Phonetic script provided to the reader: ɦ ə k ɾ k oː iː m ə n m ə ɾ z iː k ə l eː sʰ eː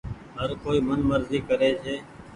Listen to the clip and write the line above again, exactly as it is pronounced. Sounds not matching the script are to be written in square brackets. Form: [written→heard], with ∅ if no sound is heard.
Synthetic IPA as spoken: ɦ ə [k→∅] ɾ k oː iː m ə n m ə ɾ z iː k ə [l→ɾ] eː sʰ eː

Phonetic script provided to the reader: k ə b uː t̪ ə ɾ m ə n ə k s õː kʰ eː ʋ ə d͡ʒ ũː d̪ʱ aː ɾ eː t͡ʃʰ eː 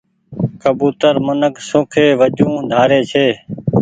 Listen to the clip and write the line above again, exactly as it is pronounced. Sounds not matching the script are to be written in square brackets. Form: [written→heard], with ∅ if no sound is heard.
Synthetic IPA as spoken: k ə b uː t̪ ə ɾ m ə n ə k s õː kʰ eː ʋ ə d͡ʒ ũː d̪ʱ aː ɾ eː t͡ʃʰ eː

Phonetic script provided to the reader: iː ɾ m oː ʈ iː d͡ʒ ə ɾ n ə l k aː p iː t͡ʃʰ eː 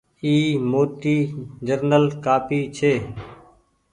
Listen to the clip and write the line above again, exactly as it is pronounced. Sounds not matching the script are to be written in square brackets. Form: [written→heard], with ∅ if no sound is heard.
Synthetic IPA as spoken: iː [ɾ→∅] m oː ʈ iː d͡ʒ ə ɾ n ə l k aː p iː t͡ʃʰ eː

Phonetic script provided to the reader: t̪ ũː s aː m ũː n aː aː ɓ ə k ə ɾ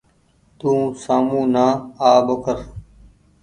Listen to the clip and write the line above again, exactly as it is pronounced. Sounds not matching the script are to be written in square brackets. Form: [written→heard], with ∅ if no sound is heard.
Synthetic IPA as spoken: t̪ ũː s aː m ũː n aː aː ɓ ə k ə ɾ

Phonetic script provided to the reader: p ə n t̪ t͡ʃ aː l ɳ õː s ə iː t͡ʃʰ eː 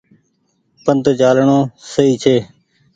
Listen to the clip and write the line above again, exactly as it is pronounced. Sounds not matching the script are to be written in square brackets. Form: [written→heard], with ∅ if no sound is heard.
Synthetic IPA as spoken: p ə n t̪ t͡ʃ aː l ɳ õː s ə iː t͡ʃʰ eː

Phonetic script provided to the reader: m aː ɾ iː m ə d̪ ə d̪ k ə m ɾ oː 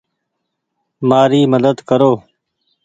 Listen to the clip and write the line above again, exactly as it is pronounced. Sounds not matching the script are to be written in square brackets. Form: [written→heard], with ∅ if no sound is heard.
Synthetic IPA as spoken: m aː ɾ iː m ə d̪ ə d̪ k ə [m→∅] ɾ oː

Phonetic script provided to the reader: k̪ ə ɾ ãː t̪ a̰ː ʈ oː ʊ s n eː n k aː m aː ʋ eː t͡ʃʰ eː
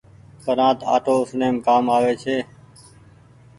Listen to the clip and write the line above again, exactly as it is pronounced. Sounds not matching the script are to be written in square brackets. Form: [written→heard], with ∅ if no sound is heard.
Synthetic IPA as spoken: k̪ ə ɾ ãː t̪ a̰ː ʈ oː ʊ s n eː [n→m] k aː m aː ʋ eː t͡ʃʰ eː

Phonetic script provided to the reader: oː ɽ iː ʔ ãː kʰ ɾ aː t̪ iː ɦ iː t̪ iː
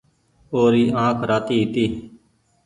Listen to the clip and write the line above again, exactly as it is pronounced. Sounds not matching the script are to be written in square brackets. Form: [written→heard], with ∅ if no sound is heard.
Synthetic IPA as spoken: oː [ɽ→ɾ] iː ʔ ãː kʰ ɾ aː t̪ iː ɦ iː t̪ iː

